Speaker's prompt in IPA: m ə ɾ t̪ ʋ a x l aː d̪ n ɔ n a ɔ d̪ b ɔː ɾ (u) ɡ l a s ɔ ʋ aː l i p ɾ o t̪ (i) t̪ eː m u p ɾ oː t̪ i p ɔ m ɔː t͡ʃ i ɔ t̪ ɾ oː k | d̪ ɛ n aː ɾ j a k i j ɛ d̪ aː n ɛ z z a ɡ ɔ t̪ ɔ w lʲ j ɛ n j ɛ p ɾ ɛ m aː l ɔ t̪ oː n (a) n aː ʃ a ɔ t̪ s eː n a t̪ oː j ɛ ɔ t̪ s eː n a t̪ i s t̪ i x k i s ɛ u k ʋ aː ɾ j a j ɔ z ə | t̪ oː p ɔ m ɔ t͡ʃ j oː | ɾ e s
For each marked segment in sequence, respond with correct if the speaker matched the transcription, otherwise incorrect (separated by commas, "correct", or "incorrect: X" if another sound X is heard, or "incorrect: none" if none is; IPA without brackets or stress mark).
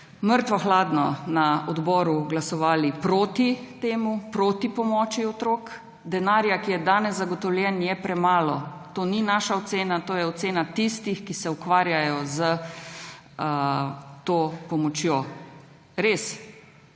correct, correct, incorrect: i